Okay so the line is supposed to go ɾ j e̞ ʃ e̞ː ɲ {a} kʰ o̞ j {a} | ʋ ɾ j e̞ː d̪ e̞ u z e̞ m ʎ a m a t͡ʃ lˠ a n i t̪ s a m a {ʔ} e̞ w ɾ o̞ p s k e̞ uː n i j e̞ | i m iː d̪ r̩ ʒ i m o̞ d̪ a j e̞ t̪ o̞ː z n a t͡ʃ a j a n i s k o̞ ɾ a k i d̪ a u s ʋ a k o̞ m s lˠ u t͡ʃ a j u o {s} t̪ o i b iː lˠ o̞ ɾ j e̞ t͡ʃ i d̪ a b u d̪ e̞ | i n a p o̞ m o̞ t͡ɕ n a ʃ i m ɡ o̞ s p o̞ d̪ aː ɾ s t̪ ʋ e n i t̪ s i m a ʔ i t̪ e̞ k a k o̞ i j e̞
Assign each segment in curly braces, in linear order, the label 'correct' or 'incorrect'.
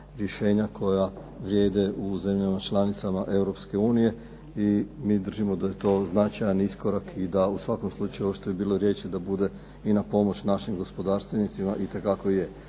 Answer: correct, correct, correct, incorrect: ʃ

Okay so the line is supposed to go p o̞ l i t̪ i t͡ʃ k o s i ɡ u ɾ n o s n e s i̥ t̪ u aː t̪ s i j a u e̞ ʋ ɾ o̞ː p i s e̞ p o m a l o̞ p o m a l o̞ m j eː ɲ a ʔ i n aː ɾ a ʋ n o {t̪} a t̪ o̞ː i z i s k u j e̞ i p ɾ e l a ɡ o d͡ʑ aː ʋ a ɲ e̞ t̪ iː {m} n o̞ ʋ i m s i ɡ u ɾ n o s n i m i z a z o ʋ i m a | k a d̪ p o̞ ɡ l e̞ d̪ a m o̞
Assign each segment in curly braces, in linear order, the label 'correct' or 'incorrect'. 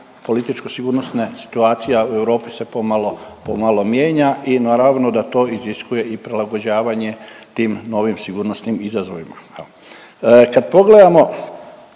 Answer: incorrect: d̪, correct

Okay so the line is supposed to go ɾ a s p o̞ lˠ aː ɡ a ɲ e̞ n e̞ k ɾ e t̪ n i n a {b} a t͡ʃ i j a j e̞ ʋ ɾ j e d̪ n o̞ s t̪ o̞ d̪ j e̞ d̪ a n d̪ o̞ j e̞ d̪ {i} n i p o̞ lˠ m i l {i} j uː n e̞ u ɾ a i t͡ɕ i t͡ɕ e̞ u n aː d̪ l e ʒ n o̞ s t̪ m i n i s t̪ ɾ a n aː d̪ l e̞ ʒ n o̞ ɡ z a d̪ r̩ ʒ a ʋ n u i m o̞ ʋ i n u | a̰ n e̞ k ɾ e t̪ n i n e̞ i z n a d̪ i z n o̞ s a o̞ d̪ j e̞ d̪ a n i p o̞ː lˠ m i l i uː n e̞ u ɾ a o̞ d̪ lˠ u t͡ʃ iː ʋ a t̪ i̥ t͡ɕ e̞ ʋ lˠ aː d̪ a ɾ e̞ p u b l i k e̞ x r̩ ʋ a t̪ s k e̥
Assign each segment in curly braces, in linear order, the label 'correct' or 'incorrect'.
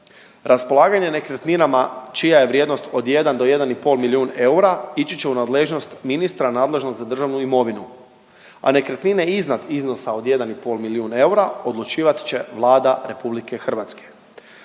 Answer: incorrect: m, incorrect: a, correct

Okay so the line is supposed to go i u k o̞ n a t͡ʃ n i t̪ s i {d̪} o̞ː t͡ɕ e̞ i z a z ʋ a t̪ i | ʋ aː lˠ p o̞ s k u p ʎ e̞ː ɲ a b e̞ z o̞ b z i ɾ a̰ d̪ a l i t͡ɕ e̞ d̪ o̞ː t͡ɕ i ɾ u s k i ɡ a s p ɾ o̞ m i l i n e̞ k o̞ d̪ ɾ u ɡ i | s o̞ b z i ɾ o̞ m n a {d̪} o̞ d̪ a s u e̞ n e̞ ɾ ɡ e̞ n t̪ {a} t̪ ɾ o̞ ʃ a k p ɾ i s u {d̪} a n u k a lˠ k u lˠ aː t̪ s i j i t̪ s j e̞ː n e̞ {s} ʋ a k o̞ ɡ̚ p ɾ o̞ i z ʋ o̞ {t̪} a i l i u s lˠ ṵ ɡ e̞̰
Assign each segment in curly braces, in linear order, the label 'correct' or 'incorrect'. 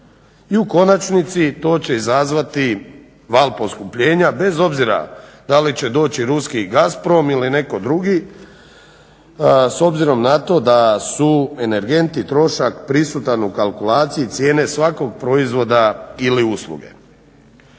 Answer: incorrect: t̪, incorrect: t̪, incorrect: i, incorrect: t̪, correct, incorrect: d̪

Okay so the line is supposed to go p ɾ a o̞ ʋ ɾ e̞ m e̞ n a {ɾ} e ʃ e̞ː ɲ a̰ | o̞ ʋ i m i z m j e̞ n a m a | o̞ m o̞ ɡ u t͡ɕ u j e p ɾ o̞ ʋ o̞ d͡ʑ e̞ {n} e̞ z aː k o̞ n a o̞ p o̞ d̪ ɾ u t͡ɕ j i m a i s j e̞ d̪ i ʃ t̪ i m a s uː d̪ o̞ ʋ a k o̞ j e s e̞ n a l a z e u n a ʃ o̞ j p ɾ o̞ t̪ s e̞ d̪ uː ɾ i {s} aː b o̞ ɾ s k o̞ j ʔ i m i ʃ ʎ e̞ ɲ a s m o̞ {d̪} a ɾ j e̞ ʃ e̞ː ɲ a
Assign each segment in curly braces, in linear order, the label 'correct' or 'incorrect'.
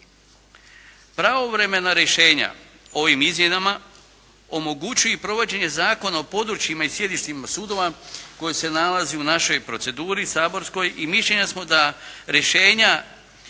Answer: correct, incorrect: ɲ, correct, correct

